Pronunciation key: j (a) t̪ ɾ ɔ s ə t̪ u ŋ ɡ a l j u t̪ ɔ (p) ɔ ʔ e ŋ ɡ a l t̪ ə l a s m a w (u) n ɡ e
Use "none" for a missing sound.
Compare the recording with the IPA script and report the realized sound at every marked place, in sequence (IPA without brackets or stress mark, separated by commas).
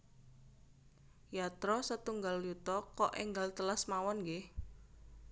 a, k, ɔ